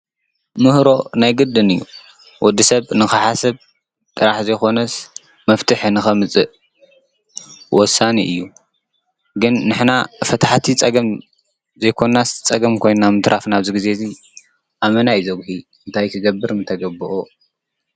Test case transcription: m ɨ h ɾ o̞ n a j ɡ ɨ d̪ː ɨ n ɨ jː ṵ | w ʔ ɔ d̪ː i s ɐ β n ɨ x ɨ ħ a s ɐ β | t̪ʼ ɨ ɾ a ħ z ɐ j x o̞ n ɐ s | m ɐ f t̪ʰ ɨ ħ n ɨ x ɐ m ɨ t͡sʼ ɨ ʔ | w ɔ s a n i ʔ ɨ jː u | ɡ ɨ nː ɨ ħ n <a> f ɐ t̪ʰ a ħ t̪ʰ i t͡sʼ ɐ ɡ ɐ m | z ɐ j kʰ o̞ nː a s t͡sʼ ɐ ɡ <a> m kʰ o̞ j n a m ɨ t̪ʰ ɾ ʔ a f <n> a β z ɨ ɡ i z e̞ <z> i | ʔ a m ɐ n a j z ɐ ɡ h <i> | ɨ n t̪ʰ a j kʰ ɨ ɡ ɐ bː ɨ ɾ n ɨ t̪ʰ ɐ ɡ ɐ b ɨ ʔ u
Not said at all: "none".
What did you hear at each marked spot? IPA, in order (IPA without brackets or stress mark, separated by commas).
a, ɐ, n, z, i